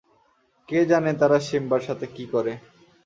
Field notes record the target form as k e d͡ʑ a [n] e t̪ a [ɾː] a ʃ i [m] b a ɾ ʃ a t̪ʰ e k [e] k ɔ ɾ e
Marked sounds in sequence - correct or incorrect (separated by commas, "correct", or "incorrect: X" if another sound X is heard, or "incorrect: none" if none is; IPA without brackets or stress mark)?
correct, incorrect: ɾ, correct, incorrect: i